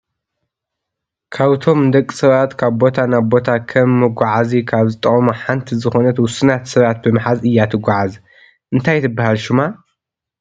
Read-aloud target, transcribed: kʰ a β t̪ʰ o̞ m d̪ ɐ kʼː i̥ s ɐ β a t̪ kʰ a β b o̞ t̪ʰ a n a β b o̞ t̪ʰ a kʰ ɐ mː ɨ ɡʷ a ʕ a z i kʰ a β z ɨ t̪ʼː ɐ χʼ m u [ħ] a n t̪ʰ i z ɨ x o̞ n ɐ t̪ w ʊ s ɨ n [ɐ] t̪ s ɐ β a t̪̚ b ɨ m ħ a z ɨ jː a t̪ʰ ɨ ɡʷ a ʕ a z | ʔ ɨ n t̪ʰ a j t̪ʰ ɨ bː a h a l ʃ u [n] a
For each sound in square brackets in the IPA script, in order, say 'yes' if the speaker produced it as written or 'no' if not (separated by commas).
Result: yes, no, no